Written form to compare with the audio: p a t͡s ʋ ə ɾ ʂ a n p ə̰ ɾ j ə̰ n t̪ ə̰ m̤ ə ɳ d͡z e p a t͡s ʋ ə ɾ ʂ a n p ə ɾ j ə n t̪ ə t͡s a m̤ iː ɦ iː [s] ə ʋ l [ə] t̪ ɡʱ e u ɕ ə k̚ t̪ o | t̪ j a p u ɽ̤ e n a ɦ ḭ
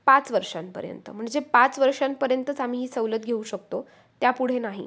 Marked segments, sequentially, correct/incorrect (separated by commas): correct, correct